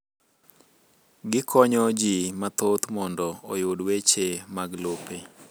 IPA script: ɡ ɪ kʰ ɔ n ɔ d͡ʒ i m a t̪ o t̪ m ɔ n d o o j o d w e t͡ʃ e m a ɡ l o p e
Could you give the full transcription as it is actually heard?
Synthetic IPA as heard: ɡ ɪ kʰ ɔ ɲ ɔ d͡ʒ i m a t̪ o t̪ m ɔ n d ɔ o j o d w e t͡ʃ e m a ɡ l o p e